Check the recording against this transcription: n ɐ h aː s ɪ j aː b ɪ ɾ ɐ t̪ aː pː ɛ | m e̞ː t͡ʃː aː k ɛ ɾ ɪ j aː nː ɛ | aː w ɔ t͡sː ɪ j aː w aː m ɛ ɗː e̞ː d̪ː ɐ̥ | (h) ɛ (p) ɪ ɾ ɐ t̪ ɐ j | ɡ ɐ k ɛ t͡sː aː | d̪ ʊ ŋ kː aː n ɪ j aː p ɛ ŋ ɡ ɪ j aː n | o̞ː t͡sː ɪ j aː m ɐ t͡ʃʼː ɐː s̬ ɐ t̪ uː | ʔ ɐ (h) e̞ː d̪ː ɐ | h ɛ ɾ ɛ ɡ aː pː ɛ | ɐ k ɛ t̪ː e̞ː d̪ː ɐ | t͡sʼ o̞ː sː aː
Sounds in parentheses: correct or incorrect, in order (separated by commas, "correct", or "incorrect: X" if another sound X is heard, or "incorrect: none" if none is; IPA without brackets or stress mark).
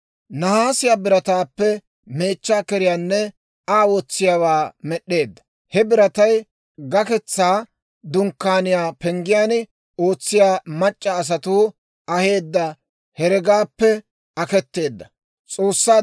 correct, incorrect: b, correct